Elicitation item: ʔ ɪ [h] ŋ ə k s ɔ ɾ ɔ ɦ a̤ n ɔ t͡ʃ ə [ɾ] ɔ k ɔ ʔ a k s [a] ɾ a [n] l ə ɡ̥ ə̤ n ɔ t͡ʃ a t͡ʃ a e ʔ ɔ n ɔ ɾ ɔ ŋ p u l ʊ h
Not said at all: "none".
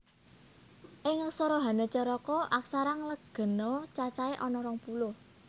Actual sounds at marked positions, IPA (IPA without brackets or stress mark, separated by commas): none, ɾ, a, ŋ